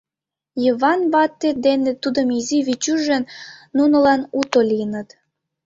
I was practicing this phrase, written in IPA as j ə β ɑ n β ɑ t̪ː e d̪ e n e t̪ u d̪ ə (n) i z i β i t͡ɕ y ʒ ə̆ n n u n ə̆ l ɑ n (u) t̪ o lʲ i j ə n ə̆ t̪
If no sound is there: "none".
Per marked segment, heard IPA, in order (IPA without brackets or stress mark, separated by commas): m, u